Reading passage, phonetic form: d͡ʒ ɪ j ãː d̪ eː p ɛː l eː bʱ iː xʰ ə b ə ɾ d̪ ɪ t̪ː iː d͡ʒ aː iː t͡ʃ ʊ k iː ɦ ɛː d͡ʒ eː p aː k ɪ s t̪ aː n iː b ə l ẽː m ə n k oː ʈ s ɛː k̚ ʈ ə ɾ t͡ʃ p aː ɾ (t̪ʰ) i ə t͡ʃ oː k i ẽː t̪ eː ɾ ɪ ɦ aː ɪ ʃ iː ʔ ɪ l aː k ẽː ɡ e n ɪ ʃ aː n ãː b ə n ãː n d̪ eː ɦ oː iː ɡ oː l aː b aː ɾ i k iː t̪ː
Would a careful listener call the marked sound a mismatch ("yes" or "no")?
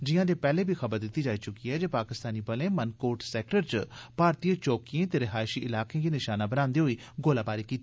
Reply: yes